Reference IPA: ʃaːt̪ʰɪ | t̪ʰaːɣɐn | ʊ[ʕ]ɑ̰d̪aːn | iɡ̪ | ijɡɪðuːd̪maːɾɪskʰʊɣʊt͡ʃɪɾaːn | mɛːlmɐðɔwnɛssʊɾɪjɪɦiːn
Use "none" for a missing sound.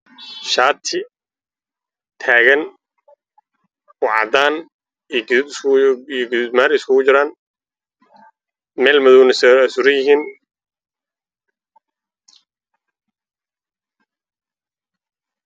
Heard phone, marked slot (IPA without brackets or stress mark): ʕ